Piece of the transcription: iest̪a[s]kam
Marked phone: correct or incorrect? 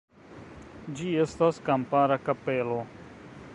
correct